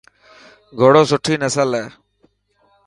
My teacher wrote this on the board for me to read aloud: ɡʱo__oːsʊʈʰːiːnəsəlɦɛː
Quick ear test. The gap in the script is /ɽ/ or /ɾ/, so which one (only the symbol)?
ɽ